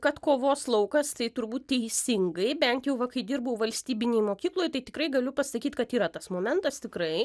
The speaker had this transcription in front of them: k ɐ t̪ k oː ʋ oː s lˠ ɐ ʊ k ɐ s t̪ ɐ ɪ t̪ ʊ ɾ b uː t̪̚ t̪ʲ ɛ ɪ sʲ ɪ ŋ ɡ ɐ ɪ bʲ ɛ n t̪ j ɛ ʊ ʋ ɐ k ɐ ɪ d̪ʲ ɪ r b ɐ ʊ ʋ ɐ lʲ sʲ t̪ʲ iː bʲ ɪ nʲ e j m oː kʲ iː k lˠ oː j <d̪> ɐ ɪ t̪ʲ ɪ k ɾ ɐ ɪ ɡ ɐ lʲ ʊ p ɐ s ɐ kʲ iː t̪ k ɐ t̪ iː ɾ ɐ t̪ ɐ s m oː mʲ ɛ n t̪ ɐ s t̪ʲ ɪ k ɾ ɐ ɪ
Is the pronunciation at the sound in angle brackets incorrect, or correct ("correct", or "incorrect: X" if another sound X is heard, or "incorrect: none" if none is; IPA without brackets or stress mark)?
incorrect: t̪